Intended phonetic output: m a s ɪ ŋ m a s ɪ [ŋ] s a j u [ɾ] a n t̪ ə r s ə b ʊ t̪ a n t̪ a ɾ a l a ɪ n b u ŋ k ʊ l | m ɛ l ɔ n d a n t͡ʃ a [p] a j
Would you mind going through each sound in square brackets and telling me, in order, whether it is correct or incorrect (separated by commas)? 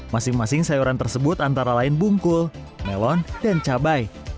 correct, correct, incorrect